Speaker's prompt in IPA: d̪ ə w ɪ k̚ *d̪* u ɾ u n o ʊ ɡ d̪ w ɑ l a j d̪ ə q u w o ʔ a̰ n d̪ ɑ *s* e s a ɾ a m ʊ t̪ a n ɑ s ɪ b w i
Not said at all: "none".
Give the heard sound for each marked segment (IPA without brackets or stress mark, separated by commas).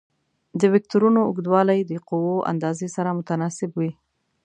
t̪, z